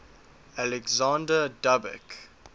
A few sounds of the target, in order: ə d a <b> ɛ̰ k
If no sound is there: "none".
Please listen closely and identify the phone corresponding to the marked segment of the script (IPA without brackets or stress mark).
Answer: b